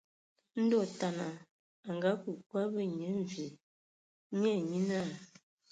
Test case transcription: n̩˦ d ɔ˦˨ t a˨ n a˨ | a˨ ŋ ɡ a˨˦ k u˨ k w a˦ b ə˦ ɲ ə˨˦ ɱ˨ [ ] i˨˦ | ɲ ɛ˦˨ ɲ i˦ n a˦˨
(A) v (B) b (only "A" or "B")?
A